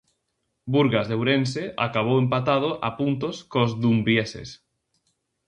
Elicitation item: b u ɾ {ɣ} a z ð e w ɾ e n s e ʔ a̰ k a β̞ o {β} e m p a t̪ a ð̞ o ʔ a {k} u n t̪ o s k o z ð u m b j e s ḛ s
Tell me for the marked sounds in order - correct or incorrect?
correct, incorrect: w, incorrect: p

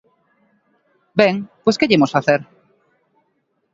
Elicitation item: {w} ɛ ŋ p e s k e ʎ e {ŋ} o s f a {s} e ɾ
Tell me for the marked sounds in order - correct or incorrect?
incorrect: b, incorrect: m, incorrect: θ

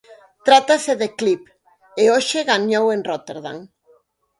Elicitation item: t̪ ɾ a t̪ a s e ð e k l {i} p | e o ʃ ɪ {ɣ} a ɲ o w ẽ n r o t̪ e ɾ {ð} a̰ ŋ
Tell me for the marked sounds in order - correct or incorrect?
correct, correct, correct

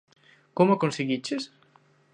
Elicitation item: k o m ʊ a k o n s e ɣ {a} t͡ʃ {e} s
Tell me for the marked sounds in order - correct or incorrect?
incorrect: i, correct

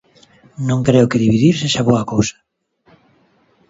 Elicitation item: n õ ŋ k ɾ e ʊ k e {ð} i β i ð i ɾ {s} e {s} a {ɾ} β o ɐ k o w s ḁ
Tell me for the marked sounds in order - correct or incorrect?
correct, correct, incorrect: ʃ, incorrect: none

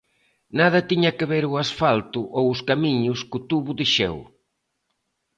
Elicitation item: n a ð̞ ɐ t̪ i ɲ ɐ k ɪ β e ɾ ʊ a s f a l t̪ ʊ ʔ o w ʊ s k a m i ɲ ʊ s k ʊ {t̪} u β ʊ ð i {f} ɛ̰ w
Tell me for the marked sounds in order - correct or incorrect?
correct, incorrect: ʃ

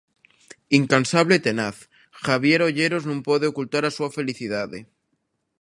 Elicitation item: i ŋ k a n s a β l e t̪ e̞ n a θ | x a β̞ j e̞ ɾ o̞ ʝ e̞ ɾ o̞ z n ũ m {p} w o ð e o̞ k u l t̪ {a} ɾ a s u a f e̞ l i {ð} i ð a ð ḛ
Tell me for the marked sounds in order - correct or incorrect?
correct, correct, incorrect: θ

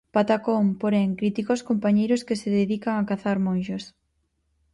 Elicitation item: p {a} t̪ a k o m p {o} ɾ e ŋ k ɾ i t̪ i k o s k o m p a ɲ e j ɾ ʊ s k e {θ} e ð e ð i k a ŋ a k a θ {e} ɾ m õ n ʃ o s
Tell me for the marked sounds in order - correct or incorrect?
correct, correct, incorrect: s, incorrect: a

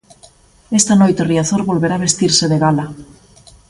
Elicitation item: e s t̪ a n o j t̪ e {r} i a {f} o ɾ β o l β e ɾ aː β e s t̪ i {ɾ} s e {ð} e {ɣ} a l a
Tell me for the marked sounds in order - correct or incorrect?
correct, incorrect: θ, correct, correct, correct

